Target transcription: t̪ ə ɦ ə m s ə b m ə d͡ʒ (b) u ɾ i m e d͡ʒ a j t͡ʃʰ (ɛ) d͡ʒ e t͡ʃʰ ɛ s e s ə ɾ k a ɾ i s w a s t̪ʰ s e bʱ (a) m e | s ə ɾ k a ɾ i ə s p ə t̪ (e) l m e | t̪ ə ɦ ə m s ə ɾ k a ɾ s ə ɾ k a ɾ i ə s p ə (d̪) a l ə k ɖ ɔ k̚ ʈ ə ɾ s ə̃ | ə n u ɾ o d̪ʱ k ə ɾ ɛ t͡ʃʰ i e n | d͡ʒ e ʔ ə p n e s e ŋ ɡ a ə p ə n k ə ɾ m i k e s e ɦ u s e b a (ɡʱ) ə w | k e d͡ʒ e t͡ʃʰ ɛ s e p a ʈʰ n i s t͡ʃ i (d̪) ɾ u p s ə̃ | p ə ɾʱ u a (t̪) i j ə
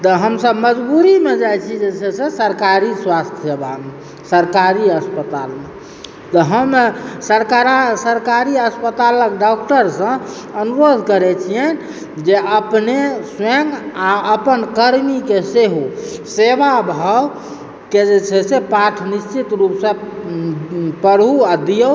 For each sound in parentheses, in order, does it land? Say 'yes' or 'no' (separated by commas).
yes, no, yes, no, no, no, no, no